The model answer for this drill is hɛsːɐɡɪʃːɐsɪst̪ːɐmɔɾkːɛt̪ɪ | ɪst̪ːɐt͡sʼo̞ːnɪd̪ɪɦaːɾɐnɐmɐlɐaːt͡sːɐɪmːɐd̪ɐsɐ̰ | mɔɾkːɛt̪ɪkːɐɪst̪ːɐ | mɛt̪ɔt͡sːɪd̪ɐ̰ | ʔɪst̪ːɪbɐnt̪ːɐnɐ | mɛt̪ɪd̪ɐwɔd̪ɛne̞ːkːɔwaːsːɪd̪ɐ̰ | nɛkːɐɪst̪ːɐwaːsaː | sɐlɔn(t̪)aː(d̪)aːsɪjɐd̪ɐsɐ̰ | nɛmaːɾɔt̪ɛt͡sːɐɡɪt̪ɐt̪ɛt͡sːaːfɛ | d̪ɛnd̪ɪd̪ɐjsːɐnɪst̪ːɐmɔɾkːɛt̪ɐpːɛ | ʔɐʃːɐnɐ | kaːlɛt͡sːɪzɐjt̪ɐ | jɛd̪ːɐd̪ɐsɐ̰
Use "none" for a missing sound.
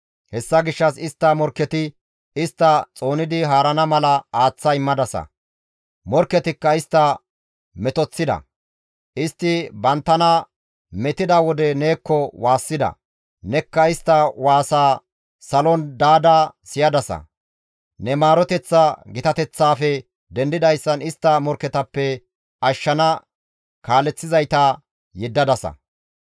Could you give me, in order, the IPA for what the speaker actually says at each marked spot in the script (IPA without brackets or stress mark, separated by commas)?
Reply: d̪, d̪